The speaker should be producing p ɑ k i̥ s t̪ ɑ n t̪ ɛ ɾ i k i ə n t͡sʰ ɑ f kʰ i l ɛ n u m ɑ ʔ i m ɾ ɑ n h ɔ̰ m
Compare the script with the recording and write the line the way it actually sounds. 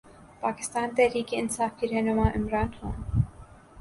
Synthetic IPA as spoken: p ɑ k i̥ s t̪ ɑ n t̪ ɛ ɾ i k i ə n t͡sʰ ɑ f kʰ i ɾ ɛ n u m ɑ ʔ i m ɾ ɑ n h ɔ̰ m